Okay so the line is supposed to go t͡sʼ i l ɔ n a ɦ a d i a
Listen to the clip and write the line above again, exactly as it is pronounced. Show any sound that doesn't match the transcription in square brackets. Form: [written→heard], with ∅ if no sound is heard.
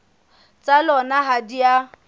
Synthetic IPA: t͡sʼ [i→a] l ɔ n a ɦ a d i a